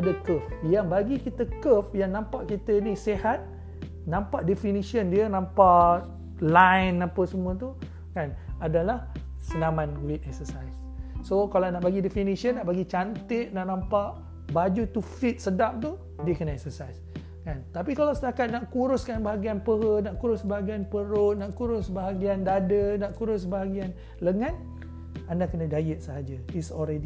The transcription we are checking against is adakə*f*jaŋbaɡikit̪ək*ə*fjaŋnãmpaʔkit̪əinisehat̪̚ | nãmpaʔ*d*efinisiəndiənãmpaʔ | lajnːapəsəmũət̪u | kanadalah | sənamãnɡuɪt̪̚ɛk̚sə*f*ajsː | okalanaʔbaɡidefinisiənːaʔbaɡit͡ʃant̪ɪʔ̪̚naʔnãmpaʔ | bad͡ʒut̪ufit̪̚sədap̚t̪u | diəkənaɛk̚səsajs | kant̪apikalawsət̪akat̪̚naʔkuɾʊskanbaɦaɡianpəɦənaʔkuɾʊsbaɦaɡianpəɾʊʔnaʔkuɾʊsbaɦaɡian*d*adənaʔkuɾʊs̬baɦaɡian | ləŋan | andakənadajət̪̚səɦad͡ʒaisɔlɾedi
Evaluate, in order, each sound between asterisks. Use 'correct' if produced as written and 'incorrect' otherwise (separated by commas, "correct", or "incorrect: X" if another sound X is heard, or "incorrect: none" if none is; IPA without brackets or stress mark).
correct, correct, correct, incorrect: s, correct